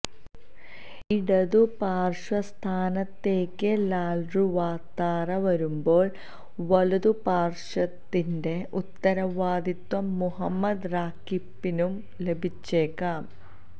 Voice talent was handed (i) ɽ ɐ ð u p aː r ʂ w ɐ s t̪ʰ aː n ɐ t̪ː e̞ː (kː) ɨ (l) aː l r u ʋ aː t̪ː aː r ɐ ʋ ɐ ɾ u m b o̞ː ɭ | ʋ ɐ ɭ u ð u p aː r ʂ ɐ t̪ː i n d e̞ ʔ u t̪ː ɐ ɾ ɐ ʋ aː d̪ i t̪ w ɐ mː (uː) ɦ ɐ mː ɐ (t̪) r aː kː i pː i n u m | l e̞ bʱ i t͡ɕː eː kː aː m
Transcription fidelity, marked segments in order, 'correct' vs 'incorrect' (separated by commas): correct, correct, correct, incorrect, incorrect